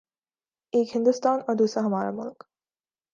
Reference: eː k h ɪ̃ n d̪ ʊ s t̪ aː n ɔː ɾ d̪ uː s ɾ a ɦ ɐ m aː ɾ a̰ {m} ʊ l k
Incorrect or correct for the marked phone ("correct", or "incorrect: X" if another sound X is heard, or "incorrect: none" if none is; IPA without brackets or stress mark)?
correct